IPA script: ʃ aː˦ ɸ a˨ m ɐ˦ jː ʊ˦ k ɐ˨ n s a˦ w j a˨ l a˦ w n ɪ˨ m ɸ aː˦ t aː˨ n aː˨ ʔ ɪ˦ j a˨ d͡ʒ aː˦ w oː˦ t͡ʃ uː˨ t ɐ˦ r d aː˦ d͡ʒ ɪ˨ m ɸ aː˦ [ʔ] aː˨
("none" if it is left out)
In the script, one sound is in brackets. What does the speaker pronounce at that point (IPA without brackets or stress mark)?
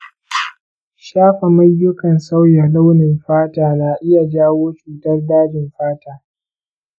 t